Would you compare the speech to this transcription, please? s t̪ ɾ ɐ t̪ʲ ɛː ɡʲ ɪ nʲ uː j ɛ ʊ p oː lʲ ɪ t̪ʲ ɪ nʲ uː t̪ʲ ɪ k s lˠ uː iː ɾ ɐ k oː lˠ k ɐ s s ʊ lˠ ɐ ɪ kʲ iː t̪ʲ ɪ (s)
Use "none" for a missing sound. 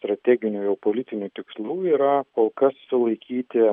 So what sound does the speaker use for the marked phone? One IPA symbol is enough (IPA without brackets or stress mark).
none